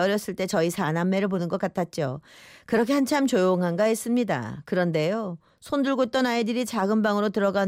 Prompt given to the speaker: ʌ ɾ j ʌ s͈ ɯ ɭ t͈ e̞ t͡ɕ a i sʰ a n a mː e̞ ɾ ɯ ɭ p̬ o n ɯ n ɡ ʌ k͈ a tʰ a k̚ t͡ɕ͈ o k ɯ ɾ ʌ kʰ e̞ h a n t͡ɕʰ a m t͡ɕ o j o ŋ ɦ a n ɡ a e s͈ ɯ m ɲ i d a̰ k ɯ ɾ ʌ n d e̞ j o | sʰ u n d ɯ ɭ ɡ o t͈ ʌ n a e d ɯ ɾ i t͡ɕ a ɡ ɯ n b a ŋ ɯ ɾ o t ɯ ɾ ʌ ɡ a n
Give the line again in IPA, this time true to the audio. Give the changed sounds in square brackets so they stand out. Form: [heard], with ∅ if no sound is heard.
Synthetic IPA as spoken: ʌ ɾ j ʌ s͈ ɯ ɭ t͈ e̞ t͡ɕ [ʌ] i sʰ a n a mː e̞ ɾ ɯ ɭ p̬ o n ɯ n ɡ ʌ k͈ a tʰ a [t̚] t͡ɕ͈ o k ɯ ɾ ʌ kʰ e̞ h a n t͡ɕʰ a m t͡ɕ o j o ŋ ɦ a n ɡ a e s͈ ɯ m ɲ i d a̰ k ɯ ɾ ʌ n d e̞ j o | sʰ [o] n d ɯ ɭ ɡ o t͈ ʌ n a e d ɯ ɾ i t͡ɕ a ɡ ɯ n b a ŋ ɯ ɾ o t ɯ ɾ ʌ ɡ a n